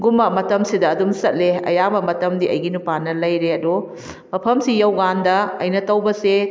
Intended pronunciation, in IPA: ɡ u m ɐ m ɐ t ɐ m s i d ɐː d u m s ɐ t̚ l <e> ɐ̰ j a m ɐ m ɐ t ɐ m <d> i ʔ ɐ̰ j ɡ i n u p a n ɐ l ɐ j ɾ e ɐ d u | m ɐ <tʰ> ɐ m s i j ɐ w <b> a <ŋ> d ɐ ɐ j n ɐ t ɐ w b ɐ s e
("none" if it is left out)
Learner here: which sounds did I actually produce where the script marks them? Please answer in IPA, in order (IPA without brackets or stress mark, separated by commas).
e, d, pʰ, ɡ, n